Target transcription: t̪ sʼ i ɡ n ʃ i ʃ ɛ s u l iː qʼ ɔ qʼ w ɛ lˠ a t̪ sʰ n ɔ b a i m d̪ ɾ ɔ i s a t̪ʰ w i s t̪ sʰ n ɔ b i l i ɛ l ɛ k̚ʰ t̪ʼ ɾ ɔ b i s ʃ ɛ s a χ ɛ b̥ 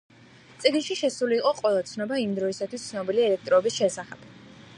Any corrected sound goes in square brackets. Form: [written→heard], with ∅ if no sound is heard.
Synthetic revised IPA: t̪ sʼ i ɡ n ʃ i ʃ ɛ s u l iː qʼ ɔ qʼ w ɛ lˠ a t̪ sʰ n ɔ b a i m d̪ ɾ ɔ i s a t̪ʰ w i s t̪ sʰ n ɔ b i l i ɛ l ɛ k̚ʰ t̪ʼ ɾ ɔ b i s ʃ ɛ s a χ ɛ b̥